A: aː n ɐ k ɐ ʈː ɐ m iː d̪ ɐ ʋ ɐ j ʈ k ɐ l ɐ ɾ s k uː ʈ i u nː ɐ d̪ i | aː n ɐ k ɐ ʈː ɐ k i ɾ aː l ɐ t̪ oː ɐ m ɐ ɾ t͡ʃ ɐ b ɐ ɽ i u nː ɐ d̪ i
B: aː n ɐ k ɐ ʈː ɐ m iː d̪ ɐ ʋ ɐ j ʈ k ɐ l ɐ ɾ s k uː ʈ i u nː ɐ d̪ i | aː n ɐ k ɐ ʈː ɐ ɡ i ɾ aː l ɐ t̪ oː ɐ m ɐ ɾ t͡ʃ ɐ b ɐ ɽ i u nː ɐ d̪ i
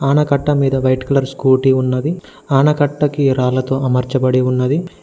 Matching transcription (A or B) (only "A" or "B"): A